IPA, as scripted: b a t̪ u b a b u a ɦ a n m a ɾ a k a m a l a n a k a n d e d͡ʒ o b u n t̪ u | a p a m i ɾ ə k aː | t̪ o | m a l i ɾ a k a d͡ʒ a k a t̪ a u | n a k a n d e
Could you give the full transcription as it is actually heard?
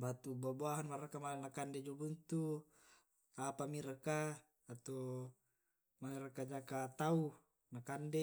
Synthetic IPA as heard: b a t̪ u b a b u a ɦ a n m a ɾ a k a m a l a n a k a n d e d͡ʒ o b u n t̪ u | a p a m i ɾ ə k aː | t̪ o | m a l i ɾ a k a d͡ʒ a k a t̪ a u | n a k a n d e